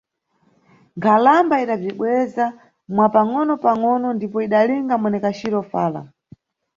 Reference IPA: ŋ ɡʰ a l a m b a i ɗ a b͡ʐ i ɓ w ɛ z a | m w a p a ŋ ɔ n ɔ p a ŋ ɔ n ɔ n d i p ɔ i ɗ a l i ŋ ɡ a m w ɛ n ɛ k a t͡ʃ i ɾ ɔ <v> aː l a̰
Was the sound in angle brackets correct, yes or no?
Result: no